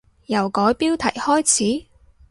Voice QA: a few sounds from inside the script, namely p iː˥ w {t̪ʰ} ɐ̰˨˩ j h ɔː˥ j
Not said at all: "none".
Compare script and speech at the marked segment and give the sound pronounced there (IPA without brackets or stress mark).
t̪ʰ